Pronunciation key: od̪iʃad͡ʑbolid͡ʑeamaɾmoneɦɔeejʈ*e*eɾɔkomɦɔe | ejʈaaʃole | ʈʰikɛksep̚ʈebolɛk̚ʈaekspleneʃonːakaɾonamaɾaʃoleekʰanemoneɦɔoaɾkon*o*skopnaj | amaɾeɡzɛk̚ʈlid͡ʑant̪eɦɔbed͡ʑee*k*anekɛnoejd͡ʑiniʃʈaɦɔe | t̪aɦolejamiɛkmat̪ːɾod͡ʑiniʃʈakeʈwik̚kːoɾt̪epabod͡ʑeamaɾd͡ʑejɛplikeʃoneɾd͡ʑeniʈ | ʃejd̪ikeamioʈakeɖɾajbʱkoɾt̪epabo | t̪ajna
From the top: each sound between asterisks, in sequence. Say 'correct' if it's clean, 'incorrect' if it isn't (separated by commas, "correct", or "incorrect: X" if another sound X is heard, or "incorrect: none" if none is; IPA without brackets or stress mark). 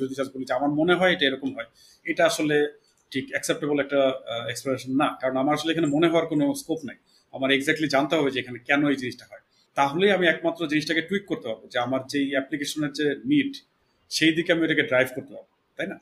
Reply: incorrect: a, correct, incorrect: kʰ